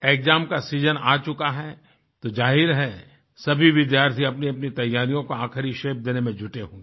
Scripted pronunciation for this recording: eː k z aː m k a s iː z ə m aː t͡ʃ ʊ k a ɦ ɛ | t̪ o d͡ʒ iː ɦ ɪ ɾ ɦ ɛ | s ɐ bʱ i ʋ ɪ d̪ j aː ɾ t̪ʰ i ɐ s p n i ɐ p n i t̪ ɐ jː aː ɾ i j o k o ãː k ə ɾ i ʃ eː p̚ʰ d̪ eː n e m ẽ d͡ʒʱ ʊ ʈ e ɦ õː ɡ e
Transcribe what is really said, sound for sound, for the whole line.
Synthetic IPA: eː k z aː m k a s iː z ə n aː t͡ʃ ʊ k a ɦ ɛ | t̪ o d͡ʒ aː ɦ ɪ ɾ ɦ ɛ | s ɐ bʱ i ʋ ɪ d̪ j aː ɾ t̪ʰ i ɐ p n i ɐ p n i t̪ ɐ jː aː ɾ i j õ k o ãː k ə ɾ i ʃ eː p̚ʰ d̪ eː n e m ẽ d͡ʒʱ ʊ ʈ e ɦ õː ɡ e